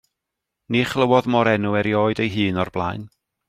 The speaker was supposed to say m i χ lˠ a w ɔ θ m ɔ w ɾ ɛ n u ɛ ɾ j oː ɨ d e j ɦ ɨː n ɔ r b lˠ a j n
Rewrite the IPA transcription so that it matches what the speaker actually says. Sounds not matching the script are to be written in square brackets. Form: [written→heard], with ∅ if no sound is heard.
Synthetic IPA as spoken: [m→n] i χ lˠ [a→ə] w ɔ [θ→ð] m ɔ [w→∅] ɾ ɛ n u ɛ ɾ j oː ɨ d e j ɦ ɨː n ɔ r b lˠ a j n